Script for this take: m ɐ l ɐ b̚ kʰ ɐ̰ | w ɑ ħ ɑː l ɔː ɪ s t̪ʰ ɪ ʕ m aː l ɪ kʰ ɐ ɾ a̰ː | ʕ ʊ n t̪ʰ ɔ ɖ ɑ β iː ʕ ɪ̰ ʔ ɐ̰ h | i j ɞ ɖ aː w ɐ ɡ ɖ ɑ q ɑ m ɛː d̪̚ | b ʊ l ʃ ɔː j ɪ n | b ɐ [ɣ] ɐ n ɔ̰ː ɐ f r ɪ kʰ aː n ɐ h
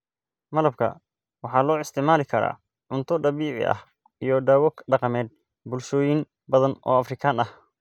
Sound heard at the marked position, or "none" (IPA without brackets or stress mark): ð